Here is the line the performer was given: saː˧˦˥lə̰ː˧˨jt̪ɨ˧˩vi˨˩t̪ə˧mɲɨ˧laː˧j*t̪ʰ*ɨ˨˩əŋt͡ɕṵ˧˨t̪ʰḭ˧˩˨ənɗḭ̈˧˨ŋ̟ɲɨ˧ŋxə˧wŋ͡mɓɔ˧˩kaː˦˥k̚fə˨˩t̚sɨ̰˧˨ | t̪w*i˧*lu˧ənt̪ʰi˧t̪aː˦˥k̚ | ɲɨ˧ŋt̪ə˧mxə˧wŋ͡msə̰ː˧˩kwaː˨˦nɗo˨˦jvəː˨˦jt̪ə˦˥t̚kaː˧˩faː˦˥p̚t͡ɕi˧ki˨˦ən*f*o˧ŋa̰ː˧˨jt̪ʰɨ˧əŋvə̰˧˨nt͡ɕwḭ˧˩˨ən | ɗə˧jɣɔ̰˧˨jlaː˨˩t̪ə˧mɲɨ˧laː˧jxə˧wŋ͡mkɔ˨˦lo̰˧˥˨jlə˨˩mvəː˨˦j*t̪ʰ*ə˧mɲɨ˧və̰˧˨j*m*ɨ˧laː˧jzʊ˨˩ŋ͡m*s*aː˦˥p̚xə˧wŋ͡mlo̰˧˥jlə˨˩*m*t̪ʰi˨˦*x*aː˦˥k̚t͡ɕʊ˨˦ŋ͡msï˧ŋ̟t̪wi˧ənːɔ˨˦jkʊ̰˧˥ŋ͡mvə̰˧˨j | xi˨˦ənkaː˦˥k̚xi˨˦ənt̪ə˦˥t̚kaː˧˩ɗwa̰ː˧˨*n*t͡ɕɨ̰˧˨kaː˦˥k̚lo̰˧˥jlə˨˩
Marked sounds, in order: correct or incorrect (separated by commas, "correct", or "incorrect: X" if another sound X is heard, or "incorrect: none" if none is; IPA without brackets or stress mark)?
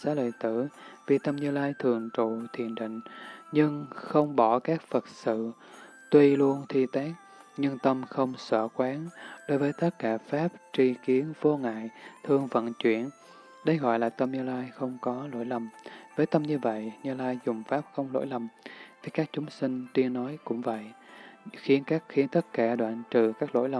correct, correct, incorrect: v, incorrect: t̪, incorrect: ɲ, incorrect: f, correct, incorrect: k, correct